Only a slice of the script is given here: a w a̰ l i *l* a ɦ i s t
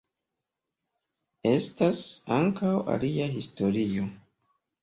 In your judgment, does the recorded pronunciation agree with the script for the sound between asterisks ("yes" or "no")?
no